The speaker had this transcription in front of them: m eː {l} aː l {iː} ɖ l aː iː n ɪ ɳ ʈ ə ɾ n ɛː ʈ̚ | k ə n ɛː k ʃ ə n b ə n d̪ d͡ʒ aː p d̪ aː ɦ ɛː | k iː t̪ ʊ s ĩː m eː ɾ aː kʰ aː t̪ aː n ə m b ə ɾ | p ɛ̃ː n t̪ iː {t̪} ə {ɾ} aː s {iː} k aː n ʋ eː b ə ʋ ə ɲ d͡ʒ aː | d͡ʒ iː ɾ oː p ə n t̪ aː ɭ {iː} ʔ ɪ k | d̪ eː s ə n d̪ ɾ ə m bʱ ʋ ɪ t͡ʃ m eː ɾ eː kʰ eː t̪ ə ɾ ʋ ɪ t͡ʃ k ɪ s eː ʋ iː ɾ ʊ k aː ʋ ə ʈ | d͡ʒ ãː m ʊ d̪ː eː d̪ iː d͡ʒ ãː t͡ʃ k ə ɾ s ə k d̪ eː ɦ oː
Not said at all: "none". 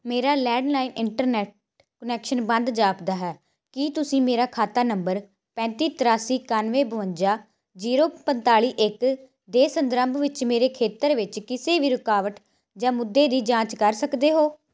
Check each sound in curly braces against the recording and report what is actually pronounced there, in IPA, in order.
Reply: ɾ, ɛː, t̪, ɾ, iː, iː

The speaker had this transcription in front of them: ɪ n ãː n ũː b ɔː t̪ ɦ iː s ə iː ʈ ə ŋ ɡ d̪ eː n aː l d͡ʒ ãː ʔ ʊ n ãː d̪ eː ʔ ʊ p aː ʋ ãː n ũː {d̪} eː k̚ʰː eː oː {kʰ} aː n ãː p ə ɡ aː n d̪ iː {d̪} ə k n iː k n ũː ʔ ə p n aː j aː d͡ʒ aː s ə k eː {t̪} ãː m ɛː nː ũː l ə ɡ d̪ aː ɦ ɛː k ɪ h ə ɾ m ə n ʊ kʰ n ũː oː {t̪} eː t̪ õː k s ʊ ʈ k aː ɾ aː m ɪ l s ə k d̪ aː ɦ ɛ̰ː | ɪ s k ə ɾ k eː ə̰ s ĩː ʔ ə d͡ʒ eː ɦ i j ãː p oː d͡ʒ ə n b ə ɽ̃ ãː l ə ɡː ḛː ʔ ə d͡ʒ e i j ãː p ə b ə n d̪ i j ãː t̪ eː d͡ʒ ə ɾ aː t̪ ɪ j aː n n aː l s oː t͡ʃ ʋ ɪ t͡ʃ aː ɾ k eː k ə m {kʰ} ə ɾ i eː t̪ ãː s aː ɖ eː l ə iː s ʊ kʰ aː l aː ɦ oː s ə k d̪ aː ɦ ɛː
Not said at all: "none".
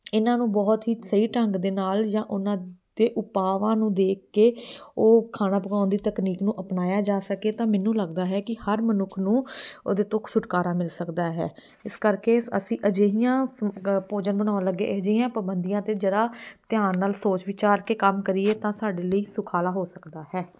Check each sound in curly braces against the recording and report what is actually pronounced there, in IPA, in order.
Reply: d̪, kʰ, t̪, t̪, d̪, k

